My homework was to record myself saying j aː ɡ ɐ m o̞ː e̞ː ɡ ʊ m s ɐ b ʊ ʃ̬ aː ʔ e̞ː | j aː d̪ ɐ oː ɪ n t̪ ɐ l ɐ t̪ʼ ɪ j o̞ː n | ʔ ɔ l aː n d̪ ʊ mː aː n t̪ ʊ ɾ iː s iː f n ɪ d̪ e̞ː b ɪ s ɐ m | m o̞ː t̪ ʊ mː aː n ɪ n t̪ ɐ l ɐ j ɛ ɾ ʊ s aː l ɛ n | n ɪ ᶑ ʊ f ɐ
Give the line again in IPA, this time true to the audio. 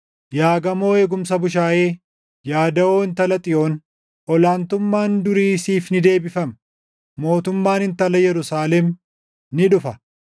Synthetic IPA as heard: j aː ɡ ɐ m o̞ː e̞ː ɡ ʊ m s ɐ b ʊ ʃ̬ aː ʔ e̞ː | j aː d̪ ɐ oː ɪ n t̪ ɐ l ɐ t̪ʼ ɪ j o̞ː n | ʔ ɔ l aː n t̪ ʊ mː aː n d̪ ʊ ɾ iː s iː f n ɪ d̪ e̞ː b ɪ f ɐ m | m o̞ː t̪ ʊ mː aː n ɪ n t̪ ɐ l ɐ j ɛ ɾ ʊ s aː l ɛ m | n ɪ ᶑ ʊ f ɐ